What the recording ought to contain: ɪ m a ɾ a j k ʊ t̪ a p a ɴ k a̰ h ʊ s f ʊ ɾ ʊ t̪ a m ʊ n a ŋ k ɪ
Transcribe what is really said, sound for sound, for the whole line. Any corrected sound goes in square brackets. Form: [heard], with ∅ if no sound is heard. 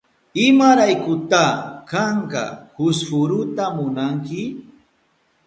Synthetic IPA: ɪ m a ɾ a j k ʊ t̪ a [k] a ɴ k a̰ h ʊ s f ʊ ɾ ʊ t̪ a m ʊ n a ŋ k ɪ